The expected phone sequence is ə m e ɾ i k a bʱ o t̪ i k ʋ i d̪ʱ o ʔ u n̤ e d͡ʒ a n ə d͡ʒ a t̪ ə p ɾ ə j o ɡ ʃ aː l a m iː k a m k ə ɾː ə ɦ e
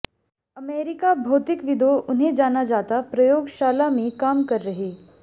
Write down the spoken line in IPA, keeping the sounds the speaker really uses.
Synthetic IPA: ə m e ɾ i k a bʱ o t̪ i k ʋ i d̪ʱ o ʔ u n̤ e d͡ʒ a n a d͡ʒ a t̪ a p ɾ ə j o ɡ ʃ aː l a m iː k a m k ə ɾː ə ɦ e